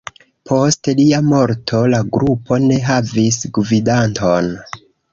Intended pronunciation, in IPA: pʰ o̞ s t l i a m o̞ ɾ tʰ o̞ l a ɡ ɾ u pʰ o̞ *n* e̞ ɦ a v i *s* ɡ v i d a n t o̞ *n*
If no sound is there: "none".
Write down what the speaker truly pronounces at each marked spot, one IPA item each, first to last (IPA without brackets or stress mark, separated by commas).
n, s, n